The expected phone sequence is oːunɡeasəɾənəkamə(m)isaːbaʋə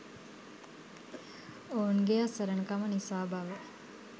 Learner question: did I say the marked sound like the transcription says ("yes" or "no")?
no